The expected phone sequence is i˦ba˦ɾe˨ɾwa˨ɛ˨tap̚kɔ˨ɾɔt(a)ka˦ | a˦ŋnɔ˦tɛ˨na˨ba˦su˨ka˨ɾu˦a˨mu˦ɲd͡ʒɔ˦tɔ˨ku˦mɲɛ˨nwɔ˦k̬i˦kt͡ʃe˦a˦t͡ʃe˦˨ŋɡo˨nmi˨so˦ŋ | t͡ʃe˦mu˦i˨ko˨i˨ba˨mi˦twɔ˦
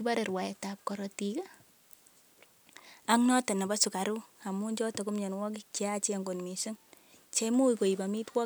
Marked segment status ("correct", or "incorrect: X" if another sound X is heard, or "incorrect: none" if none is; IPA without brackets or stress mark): incorrect: i